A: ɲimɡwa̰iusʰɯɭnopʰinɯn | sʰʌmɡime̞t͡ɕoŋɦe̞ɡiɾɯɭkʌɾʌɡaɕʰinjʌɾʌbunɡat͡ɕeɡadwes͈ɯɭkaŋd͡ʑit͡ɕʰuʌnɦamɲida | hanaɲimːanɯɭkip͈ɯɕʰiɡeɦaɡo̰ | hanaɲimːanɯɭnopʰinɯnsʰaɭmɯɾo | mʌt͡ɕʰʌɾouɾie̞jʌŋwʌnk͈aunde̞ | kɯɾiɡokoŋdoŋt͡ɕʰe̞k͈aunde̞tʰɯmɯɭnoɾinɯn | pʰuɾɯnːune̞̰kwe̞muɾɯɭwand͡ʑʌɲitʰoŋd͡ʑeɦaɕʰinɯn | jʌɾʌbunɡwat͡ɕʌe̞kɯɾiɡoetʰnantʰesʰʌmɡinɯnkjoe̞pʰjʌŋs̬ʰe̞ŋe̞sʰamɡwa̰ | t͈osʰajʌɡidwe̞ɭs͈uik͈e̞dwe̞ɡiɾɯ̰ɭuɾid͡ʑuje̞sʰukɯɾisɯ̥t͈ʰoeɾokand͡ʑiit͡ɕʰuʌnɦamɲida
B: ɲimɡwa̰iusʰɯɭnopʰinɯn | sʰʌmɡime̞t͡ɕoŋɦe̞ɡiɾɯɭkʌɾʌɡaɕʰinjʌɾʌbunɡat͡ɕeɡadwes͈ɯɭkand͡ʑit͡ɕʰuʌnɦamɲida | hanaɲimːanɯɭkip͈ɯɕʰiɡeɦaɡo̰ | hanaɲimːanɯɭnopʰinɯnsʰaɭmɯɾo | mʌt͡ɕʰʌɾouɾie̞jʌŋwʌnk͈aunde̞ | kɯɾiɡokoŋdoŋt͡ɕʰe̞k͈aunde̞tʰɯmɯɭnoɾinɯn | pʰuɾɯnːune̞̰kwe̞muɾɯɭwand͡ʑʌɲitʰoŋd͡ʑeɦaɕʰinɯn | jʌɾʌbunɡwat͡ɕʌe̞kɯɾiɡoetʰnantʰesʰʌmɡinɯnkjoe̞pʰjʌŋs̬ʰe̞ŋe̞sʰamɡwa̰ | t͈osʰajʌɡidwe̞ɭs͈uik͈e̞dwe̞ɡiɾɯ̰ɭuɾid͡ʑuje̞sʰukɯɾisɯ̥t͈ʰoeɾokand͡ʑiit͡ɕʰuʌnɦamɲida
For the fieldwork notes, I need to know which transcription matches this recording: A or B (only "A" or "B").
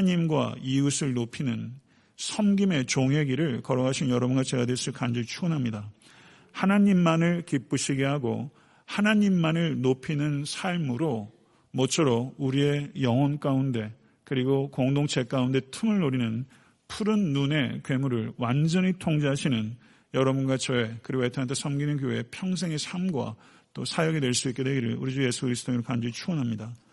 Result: B